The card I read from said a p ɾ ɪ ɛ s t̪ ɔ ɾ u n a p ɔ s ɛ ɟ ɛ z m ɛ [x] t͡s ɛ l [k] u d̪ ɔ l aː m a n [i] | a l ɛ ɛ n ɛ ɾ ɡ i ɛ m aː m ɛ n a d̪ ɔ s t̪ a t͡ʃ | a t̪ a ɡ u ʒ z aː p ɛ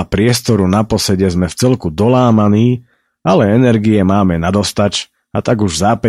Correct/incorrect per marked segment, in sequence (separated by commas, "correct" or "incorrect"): incorrect, correct, incorrect